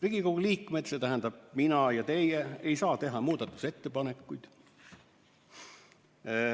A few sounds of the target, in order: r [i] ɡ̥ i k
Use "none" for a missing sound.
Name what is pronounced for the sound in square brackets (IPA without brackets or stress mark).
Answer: i